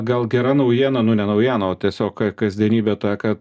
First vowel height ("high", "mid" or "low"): low